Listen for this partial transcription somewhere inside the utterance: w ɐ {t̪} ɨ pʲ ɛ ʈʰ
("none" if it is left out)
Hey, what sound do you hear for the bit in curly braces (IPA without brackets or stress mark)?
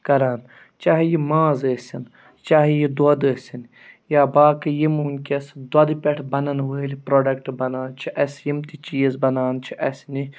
d̪